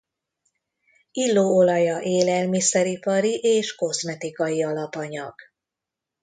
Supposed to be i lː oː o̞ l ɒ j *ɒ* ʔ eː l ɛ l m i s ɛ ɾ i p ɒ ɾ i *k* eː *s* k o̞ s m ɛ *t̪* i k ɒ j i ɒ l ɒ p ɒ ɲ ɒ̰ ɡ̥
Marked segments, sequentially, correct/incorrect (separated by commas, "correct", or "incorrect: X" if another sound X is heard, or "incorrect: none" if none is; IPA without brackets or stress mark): correct, incorrect: ʔ, incorrect: ʃ, correct